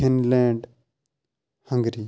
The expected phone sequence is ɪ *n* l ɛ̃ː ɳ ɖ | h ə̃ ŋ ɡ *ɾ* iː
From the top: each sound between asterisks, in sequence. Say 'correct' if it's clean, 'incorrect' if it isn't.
correct, correct

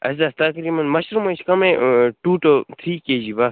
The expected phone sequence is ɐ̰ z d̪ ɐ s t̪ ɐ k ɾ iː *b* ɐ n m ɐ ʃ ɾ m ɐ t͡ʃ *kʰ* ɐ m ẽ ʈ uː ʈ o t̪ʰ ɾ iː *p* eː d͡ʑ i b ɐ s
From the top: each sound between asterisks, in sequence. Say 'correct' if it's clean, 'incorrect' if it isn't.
incorrect, incorrect, incorrect

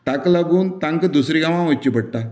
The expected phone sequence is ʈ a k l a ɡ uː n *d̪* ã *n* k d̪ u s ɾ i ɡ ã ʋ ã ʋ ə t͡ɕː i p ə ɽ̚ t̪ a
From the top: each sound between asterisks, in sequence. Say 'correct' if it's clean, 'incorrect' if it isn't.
incorrect, incorrect

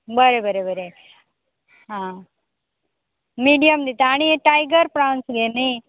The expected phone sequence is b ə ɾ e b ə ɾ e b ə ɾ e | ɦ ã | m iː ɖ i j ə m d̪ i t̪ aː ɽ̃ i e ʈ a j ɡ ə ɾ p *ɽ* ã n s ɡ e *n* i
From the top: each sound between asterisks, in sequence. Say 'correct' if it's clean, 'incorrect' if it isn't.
incorrect, correct

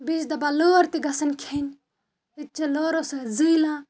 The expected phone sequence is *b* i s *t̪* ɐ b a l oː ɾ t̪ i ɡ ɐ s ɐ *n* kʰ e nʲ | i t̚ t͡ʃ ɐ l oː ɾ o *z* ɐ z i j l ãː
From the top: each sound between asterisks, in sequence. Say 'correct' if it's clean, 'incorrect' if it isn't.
correct, incorrect, correct, incorrect

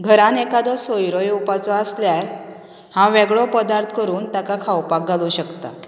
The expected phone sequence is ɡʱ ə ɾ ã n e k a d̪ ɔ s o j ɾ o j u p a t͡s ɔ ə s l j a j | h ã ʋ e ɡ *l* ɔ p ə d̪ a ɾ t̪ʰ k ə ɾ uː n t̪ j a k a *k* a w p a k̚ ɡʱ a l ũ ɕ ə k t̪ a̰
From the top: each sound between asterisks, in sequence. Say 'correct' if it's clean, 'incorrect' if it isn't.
incorrect, incorrect

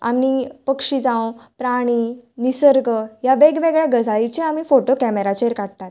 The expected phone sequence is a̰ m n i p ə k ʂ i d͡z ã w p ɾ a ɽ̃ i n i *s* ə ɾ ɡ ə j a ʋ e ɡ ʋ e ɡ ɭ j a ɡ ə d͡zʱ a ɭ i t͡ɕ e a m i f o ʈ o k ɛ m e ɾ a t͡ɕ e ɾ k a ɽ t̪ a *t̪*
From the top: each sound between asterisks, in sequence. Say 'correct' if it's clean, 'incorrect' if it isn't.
correct, correct

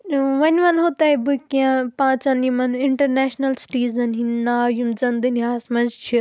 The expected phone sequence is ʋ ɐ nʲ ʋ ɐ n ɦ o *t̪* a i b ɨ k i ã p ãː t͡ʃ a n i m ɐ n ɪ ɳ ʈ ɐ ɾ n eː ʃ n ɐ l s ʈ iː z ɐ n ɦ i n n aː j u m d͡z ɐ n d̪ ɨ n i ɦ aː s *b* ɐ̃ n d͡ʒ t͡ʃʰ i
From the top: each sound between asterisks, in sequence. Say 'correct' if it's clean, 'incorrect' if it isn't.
correct, incorrect

